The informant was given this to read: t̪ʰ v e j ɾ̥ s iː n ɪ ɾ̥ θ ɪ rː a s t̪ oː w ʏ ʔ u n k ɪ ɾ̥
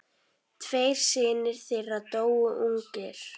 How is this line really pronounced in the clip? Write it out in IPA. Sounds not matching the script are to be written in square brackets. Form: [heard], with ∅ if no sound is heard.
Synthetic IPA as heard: t̪ʰ v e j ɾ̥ s [ɪː] n ɪ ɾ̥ θ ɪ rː a [∅] t̪ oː w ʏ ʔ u [ŋ] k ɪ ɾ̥